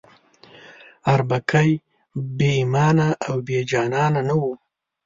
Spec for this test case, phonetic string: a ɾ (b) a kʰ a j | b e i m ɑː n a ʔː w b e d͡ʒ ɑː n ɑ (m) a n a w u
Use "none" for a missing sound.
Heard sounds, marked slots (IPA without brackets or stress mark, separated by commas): b, n